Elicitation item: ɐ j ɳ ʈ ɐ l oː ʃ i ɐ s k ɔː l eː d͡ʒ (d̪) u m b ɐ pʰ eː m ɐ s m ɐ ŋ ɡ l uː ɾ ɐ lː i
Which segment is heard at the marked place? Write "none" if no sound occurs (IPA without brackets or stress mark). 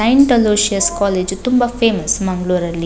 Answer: t̪